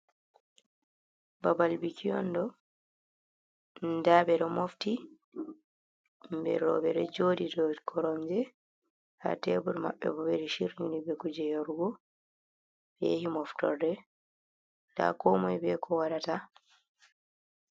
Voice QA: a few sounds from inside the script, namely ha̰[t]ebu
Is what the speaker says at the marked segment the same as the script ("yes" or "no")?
yes